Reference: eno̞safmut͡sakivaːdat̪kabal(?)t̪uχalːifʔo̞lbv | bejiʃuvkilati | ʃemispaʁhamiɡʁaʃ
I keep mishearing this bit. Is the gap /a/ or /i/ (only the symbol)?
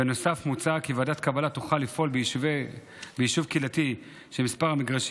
a